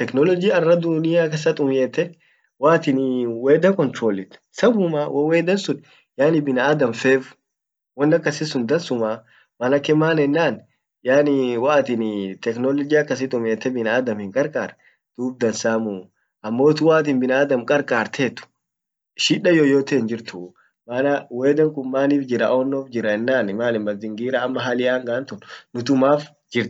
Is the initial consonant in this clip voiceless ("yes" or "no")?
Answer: yes